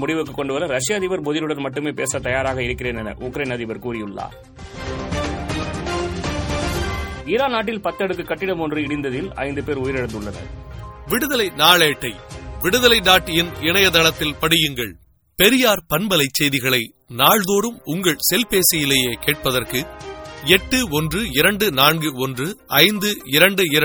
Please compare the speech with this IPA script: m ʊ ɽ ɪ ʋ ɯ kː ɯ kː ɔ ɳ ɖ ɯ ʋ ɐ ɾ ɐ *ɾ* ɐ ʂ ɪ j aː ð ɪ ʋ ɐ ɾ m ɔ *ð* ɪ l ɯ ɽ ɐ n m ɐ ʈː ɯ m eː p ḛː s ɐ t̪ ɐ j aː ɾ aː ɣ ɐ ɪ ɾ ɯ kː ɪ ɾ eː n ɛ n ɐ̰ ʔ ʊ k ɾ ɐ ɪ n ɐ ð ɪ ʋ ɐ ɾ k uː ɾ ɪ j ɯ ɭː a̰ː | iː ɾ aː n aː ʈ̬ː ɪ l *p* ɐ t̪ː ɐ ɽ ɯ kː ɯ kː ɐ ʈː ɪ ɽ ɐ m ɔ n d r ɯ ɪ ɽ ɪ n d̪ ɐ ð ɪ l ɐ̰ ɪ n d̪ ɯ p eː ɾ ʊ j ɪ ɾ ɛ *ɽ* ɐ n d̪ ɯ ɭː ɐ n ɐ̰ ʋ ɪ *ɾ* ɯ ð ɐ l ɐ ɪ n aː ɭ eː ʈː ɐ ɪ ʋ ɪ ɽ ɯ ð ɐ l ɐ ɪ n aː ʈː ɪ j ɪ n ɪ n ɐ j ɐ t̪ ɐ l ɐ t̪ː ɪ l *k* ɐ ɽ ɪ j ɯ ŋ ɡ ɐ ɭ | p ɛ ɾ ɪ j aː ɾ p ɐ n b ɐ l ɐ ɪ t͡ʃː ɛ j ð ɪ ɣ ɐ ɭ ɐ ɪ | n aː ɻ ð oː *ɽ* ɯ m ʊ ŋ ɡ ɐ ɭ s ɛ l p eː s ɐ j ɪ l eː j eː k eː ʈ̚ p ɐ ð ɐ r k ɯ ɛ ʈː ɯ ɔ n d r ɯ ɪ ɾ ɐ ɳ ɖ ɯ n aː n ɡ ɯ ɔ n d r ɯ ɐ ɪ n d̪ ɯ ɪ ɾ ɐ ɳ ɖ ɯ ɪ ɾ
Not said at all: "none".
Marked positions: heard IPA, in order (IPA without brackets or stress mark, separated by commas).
ɾ, ð, p, ɽ, ɽ, p, ɾ